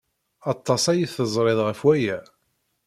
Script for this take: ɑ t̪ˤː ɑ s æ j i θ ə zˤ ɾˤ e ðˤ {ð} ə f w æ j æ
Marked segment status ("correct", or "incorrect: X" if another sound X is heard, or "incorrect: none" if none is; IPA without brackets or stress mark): incorrect: ʁ